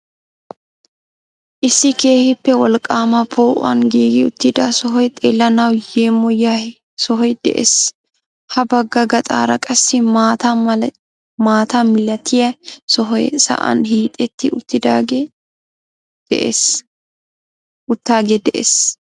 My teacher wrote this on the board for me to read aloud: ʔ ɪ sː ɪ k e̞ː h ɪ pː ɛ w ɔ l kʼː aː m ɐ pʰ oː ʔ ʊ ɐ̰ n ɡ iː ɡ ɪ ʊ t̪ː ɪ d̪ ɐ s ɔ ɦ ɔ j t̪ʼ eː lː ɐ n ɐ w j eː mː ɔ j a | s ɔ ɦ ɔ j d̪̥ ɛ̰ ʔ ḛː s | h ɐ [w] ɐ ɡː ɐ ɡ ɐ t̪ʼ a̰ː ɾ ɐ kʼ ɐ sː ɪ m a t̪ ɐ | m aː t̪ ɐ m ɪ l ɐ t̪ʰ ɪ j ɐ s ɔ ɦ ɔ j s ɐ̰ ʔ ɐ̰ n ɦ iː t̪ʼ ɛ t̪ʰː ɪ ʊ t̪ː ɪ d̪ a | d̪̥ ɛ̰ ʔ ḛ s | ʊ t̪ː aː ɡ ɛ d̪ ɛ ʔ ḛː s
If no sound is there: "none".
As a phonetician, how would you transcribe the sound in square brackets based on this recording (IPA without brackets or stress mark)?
b